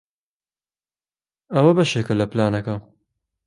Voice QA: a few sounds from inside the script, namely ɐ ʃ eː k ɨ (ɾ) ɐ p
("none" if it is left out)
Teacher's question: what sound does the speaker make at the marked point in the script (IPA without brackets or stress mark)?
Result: l